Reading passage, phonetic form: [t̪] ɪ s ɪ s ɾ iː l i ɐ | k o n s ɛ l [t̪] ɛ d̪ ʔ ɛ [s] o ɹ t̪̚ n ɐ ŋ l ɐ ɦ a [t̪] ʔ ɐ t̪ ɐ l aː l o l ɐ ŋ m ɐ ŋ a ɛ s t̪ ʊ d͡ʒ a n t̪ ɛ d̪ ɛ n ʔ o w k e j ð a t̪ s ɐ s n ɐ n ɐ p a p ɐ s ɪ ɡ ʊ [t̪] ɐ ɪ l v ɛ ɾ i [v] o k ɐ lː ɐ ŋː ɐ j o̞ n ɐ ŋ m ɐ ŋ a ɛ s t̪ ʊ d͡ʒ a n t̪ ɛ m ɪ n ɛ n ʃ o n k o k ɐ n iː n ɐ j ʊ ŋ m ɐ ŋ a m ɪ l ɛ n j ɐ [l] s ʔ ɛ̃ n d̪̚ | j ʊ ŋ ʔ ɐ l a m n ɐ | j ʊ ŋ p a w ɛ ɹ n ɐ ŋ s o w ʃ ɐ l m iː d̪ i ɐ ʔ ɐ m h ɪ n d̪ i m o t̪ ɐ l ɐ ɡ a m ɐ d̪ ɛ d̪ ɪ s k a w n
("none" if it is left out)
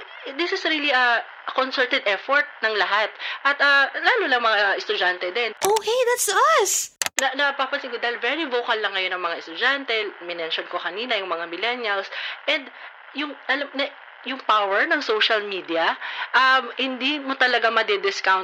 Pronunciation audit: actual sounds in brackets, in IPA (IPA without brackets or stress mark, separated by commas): d̪, t̪, f, t̪, d̪, v, l